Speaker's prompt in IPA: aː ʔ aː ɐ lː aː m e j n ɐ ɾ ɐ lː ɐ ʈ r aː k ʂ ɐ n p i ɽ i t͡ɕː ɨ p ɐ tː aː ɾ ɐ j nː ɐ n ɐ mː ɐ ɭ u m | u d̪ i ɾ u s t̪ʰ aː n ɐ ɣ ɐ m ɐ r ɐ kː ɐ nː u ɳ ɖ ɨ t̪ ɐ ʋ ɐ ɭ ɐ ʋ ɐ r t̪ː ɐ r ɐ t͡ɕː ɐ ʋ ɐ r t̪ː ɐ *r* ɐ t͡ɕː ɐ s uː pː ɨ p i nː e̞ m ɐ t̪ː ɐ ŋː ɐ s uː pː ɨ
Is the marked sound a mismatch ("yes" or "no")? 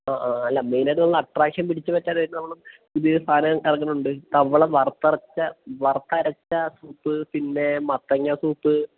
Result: yes